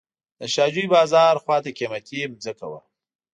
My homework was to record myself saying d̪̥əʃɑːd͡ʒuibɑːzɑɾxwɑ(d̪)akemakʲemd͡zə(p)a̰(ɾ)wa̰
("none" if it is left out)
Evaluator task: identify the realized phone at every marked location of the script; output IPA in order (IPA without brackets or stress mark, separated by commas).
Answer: t̪, k, none